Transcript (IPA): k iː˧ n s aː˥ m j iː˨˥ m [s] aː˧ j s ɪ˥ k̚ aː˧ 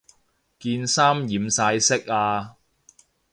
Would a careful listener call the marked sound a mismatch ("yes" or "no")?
no